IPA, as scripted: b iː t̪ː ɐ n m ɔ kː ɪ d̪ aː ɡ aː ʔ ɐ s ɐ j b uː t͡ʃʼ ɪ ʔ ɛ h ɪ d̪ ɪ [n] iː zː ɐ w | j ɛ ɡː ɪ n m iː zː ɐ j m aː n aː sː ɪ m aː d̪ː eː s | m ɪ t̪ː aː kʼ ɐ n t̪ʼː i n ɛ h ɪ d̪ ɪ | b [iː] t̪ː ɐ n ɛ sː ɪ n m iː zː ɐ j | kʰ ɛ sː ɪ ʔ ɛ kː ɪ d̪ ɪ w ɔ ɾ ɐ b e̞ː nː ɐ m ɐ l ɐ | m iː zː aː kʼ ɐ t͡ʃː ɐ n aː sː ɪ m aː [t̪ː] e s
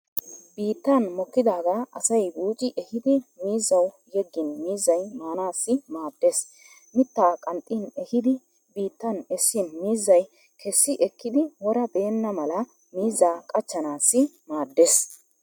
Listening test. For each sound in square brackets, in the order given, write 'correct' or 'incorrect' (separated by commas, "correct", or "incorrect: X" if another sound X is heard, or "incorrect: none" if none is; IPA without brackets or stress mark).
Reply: incorrect: m, correct, incorrect: d̪ː